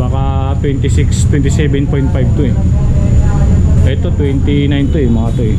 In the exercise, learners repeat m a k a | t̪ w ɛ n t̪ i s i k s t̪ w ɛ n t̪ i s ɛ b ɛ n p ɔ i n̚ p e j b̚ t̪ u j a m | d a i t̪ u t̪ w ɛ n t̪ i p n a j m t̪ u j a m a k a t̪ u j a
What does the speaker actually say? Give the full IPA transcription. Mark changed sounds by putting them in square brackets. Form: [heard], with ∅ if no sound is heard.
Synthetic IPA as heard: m a k a | t̪ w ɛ n t̪ i s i k s t̪ w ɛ n t̪ i s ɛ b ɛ n p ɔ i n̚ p [a] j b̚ t̪ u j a [∅] | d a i t̪ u t̪ w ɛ n t̪ i [∅] n a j [n] t̪ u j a m a k a t̪ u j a